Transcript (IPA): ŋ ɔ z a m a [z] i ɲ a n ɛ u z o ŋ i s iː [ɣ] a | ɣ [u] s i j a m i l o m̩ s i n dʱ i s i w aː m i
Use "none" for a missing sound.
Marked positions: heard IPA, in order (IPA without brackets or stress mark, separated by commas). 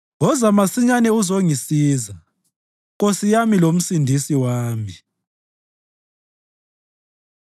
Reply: s, z, o